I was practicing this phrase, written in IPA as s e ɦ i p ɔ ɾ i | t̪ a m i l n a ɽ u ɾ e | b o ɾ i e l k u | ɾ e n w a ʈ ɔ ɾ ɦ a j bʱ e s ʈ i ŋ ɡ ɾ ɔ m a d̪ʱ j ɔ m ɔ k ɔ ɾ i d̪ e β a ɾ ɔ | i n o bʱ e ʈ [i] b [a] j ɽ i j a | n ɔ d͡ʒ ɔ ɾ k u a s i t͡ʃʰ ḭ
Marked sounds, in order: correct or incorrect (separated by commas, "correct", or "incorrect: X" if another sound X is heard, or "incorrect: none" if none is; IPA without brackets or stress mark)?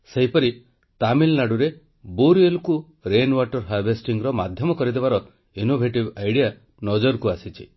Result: correct, correct